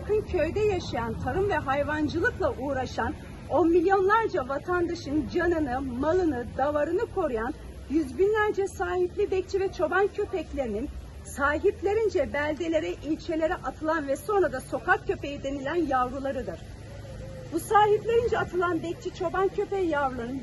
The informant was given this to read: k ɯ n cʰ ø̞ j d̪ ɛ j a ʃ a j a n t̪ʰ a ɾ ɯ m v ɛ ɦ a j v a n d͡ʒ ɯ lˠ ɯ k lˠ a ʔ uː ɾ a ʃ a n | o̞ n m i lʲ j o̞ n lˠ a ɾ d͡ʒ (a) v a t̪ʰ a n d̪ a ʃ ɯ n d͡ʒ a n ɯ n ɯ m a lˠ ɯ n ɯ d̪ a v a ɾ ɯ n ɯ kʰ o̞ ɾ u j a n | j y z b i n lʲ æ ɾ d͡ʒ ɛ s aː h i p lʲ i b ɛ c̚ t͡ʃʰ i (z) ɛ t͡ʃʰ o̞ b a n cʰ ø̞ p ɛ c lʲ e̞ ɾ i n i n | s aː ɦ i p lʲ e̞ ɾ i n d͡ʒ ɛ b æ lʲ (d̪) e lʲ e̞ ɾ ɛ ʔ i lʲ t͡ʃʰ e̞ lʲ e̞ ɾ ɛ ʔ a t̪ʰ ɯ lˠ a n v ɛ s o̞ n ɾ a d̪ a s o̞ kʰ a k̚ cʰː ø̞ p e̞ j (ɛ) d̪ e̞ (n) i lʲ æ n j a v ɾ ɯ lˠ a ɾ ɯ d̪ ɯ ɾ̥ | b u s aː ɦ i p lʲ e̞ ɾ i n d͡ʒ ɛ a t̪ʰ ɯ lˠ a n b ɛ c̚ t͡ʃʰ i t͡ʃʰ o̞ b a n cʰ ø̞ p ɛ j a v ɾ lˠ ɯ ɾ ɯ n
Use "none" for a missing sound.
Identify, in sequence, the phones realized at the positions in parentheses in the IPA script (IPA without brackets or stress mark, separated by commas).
a, v, d̪, i, n